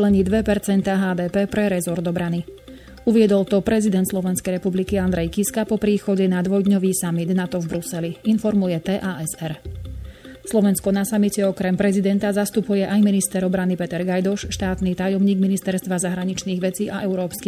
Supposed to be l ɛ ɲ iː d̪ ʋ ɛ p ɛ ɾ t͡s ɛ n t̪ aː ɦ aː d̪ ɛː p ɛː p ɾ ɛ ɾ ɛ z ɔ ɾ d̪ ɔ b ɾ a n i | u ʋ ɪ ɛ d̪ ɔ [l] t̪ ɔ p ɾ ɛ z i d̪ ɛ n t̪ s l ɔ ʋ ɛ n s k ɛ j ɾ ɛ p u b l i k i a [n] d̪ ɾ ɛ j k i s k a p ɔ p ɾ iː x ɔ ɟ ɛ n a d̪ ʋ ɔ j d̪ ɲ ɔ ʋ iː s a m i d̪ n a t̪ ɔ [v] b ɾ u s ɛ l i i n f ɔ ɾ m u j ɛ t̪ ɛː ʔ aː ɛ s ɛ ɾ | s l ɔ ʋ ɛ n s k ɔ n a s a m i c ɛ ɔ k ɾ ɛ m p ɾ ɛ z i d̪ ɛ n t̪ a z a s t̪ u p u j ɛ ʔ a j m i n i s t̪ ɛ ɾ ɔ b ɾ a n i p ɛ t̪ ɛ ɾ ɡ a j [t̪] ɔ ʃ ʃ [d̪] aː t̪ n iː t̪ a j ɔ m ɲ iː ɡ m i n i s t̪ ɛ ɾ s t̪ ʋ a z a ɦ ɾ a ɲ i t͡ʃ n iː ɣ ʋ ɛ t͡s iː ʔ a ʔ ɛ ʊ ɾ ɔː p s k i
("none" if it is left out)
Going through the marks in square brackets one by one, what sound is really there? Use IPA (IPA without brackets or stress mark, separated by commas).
l, n, v, d̪, t̪